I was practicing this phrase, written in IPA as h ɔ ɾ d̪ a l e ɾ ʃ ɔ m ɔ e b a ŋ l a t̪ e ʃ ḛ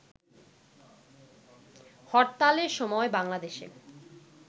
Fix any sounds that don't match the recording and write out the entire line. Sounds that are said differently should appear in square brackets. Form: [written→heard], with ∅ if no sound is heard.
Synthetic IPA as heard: h ɔ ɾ [d̪→t̪] a l e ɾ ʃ ɔ m ɔ e b a ŋ l a [t̪→d̪] e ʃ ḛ